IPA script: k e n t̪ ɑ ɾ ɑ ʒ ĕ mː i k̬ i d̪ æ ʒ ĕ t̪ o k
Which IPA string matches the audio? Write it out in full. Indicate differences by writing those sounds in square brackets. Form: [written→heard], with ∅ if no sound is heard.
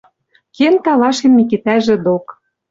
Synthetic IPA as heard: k e n t̪ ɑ [ɾ→l] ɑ [ʒ→ʃ] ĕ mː i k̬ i [d̪→t̪] æ ʒ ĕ [t̪→d̪] o k